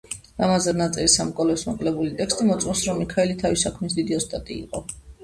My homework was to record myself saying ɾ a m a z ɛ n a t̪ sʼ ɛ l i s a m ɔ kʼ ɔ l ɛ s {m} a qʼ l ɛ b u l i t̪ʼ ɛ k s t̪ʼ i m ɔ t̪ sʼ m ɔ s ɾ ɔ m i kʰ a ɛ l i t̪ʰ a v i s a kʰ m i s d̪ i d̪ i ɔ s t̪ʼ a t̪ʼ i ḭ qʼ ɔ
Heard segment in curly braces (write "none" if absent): m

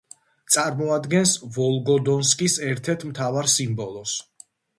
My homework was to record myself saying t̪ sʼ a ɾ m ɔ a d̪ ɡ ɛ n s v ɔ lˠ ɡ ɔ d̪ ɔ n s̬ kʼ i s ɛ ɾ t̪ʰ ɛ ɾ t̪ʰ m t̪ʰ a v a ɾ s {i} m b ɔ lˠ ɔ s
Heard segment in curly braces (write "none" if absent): i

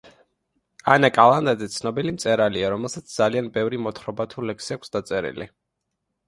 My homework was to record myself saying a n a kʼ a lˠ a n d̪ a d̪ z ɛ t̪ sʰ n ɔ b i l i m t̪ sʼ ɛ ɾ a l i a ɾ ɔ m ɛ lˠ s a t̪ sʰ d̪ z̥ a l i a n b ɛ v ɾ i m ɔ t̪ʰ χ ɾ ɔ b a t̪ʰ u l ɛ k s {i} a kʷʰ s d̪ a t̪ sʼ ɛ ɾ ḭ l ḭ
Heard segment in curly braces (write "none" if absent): i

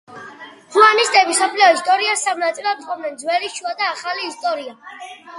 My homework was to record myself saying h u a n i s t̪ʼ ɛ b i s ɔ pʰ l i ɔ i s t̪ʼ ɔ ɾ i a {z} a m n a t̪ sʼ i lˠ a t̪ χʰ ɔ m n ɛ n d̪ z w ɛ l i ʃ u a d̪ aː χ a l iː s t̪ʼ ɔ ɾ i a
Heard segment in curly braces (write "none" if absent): s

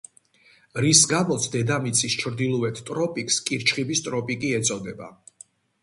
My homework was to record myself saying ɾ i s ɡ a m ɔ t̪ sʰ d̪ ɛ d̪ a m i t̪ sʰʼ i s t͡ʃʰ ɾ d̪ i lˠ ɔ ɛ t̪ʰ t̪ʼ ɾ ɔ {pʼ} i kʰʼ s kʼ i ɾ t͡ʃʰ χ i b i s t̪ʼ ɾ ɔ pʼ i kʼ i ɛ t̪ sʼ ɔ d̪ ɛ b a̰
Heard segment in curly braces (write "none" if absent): pʼ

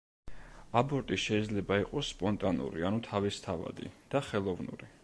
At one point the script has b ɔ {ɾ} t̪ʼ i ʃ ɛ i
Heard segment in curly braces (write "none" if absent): ɾ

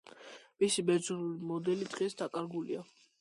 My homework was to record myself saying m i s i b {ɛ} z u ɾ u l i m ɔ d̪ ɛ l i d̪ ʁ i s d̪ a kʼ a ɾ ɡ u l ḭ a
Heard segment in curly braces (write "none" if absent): ɛ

